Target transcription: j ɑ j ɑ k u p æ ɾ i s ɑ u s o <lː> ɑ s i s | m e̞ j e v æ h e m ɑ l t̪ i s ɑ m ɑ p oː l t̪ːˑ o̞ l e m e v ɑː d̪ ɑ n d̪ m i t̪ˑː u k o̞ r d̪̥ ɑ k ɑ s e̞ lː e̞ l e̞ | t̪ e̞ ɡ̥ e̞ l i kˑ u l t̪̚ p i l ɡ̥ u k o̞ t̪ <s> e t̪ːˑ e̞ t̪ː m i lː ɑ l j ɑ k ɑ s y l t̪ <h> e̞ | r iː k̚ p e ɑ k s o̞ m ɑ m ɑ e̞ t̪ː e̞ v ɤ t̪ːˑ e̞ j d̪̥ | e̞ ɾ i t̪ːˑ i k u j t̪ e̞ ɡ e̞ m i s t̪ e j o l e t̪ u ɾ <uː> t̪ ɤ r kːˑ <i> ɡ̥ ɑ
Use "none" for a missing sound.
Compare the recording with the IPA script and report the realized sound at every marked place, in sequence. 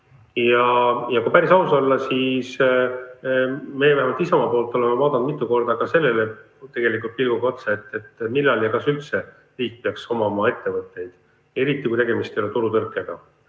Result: lː, s, s, u, e

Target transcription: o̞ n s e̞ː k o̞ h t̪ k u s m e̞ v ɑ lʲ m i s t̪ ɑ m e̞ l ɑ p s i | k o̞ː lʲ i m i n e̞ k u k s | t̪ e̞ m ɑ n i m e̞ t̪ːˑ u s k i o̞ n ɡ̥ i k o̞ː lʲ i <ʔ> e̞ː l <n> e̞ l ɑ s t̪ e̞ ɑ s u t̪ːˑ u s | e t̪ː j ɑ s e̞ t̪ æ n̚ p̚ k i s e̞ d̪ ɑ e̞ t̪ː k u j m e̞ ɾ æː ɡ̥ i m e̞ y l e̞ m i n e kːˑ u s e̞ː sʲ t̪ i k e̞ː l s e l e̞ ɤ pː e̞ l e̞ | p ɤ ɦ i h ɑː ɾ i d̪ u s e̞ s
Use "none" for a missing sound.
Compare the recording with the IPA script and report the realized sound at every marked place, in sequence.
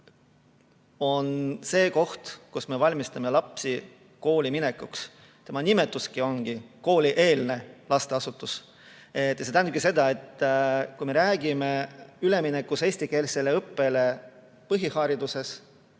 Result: ʔ, n

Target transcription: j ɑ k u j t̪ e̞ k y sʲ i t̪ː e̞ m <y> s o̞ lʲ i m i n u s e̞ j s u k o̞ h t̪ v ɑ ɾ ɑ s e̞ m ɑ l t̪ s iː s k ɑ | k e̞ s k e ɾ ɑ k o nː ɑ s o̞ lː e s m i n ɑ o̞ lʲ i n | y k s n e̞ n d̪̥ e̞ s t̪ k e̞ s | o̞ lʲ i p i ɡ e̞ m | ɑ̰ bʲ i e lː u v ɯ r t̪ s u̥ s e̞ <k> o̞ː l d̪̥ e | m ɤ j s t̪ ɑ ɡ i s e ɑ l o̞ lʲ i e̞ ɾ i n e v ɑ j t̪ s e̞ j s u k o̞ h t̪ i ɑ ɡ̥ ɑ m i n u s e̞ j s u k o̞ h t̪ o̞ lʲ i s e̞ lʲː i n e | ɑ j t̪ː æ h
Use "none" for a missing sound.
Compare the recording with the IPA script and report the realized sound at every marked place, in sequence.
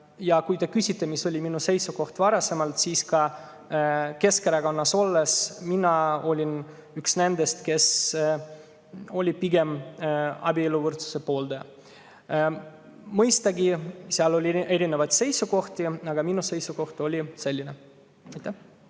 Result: i, p

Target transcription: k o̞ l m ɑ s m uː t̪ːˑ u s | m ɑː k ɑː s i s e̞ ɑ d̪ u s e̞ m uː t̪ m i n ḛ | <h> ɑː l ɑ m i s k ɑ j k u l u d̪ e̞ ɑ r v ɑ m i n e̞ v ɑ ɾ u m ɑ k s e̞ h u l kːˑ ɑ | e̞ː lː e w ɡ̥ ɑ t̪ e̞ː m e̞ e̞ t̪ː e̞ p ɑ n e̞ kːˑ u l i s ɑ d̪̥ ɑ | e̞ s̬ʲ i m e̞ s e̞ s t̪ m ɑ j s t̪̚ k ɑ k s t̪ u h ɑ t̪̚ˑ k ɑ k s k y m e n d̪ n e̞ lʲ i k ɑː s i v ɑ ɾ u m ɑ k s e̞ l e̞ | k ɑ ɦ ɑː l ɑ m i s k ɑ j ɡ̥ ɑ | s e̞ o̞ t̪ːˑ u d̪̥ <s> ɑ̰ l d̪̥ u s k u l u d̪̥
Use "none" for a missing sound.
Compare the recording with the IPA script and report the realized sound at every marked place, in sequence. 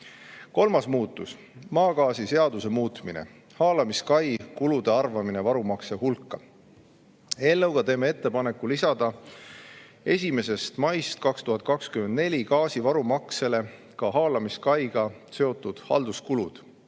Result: h, h

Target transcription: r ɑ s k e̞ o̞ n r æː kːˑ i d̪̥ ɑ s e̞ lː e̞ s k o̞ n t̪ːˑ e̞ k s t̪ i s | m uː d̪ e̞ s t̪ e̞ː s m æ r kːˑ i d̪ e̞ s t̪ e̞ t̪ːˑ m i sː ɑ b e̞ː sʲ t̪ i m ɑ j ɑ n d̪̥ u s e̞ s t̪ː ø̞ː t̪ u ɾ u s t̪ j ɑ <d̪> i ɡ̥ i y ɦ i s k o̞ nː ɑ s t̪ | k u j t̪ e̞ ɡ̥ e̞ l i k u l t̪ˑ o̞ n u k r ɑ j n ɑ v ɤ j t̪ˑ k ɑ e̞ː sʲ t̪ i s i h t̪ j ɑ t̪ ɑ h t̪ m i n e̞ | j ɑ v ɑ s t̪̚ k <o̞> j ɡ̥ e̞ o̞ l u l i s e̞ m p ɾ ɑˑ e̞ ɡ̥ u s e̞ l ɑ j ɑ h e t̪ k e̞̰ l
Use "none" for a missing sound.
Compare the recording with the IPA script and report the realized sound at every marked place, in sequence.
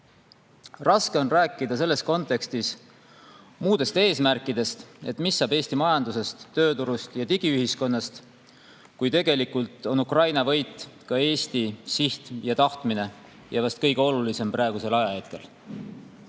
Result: t̪, ɤ̞

